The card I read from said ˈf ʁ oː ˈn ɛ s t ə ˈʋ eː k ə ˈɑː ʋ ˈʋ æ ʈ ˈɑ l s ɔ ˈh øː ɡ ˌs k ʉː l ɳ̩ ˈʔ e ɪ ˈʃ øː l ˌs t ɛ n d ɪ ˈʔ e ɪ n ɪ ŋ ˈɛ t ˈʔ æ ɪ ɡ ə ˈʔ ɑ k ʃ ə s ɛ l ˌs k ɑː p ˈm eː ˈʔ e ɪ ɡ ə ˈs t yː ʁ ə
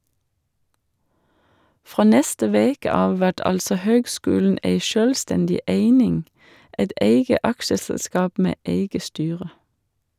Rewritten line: ˈf ʁ oː ˈn ɛ s t ə ˈʋ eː k ə ˈɑː ʋ ˈʋ æ ʈ ˈɑ l s ɔ ˈh øː ɡ ˌs k ʉː l n̩ ˈʔ e ɪ ˈʃ øː l ˌs t ɛ n d ɪ ˈʔ e ɪ n ɪ ŋ ˈɛ t ˈʔ e ɪ ɡ ə ˈʔ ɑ k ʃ ə s ɛ l ˌs k ɑː p ˈm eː ˈʔ e ɪ ɡ ə ˈs t yː ʁ ə